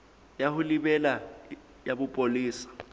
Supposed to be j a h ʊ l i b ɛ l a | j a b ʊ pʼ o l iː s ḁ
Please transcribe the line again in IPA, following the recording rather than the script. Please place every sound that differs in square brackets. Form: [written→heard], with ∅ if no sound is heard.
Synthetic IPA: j a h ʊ l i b ɛ l a | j a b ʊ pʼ o l iː s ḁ